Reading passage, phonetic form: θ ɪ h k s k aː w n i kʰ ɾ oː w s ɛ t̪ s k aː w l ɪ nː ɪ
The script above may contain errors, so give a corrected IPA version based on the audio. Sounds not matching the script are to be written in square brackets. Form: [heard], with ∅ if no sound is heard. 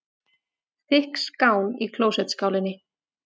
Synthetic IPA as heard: θ ɪ h k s k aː w n i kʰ [l] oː w s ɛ t̪ s k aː w l ɪ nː ɪ